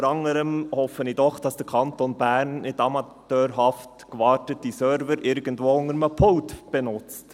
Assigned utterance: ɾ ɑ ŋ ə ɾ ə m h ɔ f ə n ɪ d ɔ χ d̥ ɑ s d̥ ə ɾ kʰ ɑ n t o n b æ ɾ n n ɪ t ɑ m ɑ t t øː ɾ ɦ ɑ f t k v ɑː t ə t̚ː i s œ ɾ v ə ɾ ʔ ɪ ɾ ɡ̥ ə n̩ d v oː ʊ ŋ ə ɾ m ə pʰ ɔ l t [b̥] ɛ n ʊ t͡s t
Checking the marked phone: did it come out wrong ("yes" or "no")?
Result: no